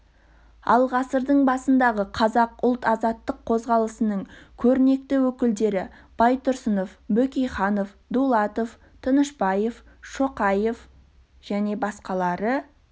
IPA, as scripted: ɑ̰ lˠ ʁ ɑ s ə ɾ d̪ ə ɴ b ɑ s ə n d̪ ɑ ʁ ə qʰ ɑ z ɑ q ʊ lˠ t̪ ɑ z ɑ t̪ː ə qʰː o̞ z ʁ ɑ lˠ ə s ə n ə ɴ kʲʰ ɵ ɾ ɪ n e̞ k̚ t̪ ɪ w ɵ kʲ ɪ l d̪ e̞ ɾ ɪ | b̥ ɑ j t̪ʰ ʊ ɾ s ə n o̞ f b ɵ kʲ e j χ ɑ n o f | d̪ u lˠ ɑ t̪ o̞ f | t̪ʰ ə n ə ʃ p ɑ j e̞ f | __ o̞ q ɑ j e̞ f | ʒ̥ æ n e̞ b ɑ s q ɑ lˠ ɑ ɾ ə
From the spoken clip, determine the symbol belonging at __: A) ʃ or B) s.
A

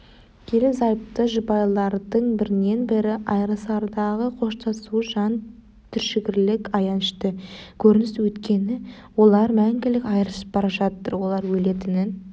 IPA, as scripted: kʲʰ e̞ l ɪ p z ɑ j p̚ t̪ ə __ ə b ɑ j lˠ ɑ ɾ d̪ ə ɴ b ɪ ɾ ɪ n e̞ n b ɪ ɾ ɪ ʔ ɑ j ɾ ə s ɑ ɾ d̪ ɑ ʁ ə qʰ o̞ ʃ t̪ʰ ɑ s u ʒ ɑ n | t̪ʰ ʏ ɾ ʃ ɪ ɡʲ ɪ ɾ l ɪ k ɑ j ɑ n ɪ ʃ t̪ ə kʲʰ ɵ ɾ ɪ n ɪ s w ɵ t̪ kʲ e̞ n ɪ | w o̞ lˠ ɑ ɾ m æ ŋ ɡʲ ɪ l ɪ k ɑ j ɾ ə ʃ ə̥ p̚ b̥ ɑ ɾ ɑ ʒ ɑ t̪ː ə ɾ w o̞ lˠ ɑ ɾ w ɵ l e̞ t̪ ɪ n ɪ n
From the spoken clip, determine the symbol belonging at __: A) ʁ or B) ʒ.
B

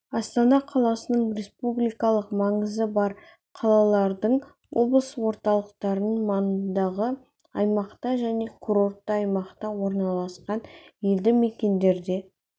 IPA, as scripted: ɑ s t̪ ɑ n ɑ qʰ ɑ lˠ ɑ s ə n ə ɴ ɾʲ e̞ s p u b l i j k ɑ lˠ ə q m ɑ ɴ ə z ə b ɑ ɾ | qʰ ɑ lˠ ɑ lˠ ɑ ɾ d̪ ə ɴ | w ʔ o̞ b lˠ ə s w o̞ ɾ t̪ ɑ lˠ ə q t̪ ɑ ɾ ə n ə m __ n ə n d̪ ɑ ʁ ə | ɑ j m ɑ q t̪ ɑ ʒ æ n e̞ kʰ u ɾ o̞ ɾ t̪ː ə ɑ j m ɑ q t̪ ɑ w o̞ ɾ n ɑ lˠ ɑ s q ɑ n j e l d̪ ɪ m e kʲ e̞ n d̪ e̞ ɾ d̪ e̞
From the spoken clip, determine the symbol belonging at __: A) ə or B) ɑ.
B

